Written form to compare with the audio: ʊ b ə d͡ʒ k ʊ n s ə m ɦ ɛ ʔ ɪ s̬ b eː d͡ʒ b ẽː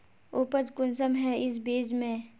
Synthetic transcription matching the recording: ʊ p ə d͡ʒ k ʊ n s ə m ɦ ɛ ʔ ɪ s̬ b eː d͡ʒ m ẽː